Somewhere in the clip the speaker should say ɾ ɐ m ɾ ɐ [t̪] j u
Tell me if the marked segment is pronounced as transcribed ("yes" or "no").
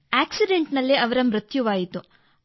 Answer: yes